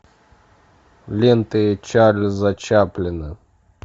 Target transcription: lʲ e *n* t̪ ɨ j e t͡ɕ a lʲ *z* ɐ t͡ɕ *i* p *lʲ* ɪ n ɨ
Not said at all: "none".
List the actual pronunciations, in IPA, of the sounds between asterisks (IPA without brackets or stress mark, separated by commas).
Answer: n, z, a, lʲ